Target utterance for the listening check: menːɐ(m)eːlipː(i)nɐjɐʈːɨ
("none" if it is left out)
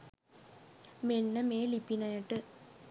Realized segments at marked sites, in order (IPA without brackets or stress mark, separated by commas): m, i